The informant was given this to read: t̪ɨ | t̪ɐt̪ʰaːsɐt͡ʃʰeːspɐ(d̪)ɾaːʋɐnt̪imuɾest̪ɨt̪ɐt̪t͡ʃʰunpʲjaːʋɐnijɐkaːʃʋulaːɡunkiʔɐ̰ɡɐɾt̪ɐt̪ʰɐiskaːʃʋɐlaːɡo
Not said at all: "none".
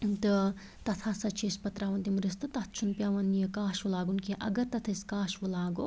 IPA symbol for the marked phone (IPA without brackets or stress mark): t̪